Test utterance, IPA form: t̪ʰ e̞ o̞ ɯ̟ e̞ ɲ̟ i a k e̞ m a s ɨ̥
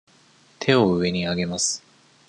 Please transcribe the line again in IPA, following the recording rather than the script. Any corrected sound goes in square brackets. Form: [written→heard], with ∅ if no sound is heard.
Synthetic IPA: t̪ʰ e̞ o̞ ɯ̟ e̞ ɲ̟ i a [k→ɡ] e̞ m a s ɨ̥

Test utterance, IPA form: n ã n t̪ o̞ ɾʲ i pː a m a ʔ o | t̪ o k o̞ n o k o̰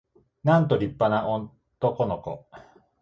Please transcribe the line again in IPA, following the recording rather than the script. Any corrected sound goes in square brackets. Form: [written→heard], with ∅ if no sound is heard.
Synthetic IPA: n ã n t̪ o̞ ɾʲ i pː a [m→n] a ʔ o | t̪ o k o̞ n o k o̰

